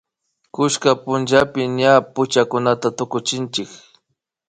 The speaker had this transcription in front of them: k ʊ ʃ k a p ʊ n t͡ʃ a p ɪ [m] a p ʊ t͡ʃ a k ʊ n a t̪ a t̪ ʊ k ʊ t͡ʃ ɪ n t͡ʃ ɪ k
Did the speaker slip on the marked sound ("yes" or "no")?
yes